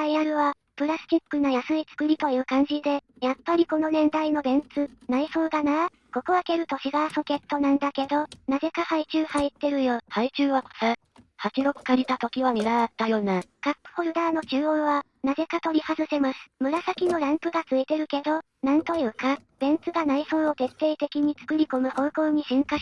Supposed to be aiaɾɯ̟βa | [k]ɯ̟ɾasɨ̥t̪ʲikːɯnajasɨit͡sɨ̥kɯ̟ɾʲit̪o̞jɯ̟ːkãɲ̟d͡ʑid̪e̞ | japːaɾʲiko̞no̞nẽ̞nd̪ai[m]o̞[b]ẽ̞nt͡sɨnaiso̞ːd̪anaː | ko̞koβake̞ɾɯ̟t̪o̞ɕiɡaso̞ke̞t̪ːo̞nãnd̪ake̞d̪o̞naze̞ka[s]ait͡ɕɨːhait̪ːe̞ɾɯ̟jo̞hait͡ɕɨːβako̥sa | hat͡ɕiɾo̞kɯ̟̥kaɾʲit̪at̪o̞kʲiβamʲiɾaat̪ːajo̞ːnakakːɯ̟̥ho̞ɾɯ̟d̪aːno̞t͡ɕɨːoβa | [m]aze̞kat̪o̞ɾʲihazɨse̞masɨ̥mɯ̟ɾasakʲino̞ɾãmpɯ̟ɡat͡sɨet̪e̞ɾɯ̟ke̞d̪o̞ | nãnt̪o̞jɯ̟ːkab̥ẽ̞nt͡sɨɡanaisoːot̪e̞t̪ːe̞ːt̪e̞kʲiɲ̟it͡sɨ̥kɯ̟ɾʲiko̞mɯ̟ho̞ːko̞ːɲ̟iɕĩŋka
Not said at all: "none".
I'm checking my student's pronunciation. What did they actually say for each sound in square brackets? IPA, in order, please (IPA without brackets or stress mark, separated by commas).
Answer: p, n, b, h, n